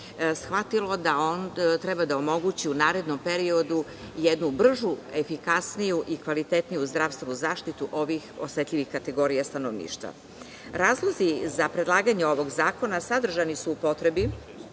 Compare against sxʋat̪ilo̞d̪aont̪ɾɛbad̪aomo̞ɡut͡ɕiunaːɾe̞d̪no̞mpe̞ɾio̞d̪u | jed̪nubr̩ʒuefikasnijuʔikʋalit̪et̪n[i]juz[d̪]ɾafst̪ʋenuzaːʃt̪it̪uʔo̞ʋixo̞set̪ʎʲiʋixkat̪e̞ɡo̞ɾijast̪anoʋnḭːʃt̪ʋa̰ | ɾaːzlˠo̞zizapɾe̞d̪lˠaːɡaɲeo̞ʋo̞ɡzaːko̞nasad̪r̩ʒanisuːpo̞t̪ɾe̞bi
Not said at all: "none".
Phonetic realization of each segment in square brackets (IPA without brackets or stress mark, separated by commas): i, d̪